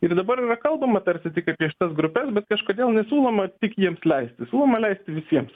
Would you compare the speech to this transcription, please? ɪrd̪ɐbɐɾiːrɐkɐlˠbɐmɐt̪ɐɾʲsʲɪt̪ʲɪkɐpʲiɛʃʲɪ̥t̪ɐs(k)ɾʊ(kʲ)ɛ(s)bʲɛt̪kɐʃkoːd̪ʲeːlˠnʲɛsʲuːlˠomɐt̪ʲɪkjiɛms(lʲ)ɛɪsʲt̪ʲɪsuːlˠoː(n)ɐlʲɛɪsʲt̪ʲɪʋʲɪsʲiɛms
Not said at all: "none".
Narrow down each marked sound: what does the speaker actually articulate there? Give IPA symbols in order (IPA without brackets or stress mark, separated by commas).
ɡ, pʲ, s, lʲ, m